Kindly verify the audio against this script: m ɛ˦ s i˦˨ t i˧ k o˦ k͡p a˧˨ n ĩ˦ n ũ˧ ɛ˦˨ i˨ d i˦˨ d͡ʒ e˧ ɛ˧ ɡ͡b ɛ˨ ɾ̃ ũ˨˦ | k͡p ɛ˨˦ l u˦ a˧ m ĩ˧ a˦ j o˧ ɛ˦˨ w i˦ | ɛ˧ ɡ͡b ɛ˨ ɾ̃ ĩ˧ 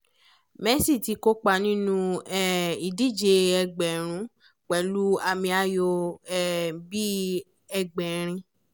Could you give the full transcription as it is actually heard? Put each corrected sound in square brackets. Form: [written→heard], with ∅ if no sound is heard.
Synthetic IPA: m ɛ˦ s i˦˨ t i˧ k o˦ k͡p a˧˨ n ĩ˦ n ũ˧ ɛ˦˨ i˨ d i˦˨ d͡ʒ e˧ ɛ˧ ɡ͡b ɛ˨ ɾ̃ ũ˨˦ | k͡p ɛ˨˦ l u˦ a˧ m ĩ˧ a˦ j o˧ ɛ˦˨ [w→b] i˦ | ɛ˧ ɡ͡b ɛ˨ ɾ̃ ĩ˧